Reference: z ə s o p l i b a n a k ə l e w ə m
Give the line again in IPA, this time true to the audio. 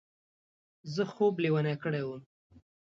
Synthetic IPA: z ə x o b l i w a n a k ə ɽ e w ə m